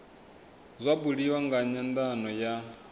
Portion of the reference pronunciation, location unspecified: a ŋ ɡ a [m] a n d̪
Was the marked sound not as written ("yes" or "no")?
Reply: yes